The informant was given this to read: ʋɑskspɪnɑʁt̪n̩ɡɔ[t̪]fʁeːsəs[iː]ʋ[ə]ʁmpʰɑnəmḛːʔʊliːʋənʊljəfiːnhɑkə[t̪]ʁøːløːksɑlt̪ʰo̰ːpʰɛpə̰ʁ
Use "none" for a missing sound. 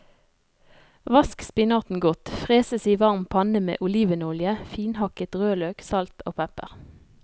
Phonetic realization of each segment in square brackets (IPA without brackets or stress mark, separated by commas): t̪, iː, ɑ, t̪